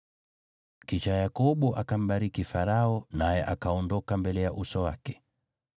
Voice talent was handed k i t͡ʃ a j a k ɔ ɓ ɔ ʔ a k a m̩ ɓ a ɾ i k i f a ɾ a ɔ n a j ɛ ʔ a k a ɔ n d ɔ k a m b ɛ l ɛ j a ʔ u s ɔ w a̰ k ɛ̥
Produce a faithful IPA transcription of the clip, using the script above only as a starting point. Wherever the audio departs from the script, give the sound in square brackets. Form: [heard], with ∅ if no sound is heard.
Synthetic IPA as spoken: k i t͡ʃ a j a k ɔ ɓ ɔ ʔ a k a m̩ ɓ a ɾ i k i f a ɾ a ɔ n a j ɛ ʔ a k a ɔ n d ɔ k a m b ɛ l ɛ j a ʔ u s ɔ w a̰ k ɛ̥